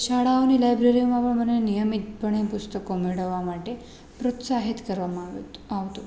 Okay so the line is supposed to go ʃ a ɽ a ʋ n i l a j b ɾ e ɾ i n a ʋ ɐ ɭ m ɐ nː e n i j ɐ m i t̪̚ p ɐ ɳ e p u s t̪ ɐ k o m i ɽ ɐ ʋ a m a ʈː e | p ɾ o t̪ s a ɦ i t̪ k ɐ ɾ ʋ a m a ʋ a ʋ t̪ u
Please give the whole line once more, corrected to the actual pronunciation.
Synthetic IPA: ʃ a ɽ a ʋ n i l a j b ɾ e ɾ i m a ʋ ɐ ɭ m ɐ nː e n i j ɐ m i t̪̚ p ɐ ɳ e p u s t̪ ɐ k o m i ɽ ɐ ʋ a m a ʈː e | p ɾ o t̪ s a ɦ i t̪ k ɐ ɾ ʋ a m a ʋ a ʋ t̪ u

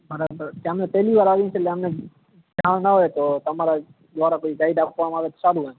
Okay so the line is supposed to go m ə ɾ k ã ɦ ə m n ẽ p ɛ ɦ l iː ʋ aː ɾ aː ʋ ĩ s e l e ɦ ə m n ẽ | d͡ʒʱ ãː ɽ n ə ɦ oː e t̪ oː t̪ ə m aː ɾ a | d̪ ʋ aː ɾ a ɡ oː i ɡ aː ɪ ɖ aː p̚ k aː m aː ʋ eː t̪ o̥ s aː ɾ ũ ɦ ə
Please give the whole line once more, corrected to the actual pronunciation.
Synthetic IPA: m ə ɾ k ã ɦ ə m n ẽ p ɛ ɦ l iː ʋ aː ɾ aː ʋ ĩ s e l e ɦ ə m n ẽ | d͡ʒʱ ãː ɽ n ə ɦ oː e t̪ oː t̪ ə m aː ɾ a | d̪ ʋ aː ɾ a k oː i ɡ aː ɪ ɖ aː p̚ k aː m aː ʋ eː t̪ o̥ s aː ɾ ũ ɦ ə

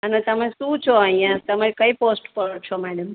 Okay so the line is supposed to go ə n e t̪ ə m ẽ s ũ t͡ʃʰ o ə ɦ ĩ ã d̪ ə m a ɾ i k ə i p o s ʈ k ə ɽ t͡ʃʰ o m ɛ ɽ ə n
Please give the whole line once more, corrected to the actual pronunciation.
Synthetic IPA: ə n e t̪ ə m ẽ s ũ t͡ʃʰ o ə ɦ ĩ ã t̪ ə m a ɾ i k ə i p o s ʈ p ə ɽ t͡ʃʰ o m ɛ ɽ ə m

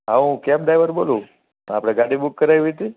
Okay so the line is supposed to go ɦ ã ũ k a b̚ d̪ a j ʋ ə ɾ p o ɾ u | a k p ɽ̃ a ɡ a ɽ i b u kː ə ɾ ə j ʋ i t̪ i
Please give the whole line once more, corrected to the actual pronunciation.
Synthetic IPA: ɦ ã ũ k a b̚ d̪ a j ʋ ə ɾ b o l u | a p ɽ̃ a ɡ a ɽ i b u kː ə ɾ a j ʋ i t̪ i

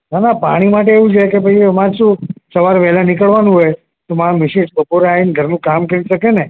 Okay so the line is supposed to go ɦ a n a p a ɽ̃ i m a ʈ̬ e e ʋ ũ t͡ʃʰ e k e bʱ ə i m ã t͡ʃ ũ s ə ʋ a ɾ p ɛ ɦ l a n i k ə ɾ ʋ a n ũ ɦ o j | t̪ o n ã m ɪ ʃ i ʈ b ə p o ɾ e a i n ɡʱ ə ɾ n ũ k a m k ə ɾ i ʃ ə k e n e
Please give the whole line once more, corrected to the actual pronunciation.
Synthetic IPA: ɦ a n a p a ɽ̃ i m a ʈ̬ e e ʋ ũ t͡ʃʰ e k e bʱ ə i m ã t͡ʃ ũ s ə ʋ a ɾ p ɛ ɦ l a n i k ə ɭ ʋ a n ũ ɦ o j | t̪ o m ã m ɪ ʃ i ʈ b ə p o ɾ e a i n ɡʱ ə ɾ n ũ k a m k ə ɾ i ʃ ə k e n e

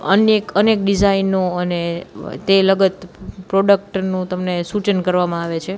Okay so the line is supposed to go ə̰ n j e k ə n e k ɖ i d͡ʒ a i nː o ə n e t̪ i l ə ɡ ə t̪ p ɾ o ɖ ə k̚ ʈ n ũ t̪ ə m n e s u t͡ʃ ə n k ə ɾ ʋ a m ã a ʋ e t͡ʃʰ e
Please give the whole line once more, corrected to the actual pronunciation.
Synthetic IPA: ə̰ n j e k ə n e k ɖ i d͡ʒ a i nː o ə n e t̪ e l ə ɡ ə t̪ p ɾ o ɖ ə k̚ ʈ n ũ t̪ ə m n e s u t͡ʃ ə n k ə ɾ ʋ a m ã a ʋ e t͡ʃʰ e

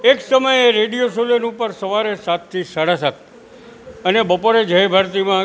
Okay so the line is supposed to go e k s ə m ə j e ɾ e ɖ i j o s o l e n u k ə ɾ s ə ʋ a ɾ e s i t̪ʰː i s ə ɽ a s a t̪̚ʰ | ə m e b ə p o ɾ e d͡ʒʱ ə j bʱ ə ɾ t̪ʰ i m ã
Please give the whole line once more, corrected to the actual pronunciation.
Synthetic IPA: e k s ə m ə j e ɾ e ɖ i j o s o l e n u p ə ɾ s ə ʋ a ɾ e s a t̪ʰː i s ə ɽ a s a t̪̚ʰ | ə n e b ə p o ɾ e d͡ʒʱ ə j bʱ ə ɾ t̪ i m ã

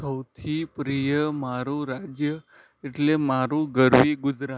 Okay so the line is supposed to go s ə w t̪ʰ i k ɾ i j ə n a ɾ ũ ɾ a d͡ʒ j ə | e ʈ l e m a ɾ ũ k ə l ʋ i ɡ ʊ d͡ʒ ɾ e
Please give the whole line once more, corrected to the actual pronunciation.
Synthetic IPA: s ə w t̪ʰ i p ɾ i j ə m a ɾ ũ ɾ a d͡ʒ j ə | e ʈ l e m a ɾ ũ ɡ ə ɾ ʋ i ɡ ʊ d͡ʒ ɾ a

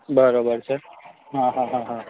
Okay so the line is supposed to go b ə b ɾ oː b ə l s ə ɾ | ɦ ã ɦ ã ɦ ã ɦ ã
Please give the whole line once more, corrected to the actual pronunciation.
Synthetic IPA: b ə ɾ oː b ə ɾ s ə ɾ | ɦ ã ɦ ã ɦ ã ɦ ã

